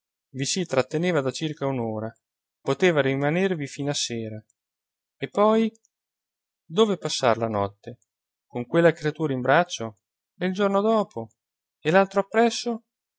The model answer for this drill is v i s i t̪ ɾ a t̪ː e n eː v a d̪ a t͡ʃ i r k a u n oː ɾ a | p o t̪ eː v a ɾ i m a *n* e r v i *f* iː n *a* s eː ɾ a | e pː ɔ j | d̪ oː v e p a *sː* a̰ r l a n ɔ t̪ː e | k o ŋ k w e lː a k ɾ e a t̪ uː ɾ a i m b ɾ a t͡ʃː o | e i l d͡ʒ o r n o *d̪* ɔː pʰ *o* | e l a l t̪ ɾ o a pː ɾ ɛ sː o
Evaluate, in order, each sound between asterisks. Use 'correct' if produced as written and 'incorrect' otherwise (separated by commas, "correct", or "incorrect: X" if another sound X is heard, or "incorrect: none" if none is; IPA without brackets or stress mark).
correct, correct, correct, correct, correct, correct